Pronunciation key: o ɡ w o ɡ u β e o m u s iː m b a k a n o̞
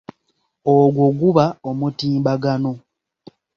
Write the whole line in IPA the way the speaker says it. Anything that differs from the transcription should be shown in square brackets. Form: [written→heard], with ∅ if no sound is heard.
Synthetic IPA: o ɡ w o ɡ u β [e→a] o m u [s→t] iː m b a [k→ɡ] a n o̞